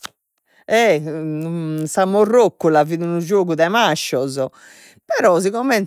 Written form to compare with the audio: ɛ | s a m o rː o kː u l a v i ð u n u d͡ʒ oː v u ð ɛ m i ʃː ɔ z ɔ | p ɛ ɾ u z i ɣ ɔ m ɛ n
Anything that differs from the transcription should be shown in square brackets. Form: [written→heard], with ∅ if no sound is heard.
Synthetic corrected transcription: ɛ | s a m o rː o kː u l a v i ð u n u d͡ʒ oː [v→ɣ] u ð ɛ m [i→a] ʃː ɔ z ɔ | p ɛ ɾ [u→ɔ] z i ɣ ɔ m ɛ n